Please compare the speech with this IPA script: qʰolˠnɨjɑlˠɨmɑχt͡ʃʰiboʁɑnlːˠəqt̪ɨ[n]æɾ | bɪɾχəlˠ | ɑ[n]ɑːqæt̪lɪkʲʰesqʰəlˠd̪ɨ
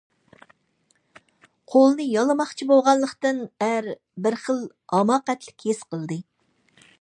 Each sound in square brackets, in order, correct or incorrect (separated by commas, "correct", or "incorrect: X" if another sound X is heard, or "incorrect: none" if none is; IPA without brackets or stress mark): correct, incorrect: m